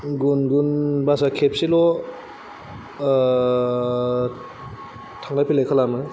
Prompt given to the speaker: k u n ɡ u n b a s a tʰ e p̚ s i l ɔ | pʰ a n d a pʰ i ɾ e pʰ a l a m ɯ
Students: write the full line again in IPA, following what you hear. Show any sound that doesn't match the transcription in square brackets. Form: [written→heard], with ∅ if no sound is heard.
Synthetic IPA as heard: [k→ɡ] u n ɡ u n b a s a [tʰ→kʰ] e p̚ s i l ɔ | [pʰ→tʰ] a [n→ŋ] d a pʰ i [ɾ→l] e [pʰ→kʰ] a l a m ɯ